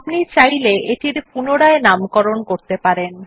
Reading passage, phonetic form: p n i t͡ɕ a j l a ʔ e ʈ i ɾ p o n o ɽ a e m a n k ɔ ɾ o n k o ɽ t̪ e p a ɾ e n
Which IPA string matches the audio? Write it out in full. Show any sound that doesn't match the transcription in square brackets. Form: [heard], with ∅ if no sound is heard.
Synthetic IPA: p n i t͡ɕ a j l [e] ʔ e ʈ i ɾ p [u] n o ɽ a e [n] a [m] k ɔ ɾ o n k o [ɾ] t̪ e p a ɾ e n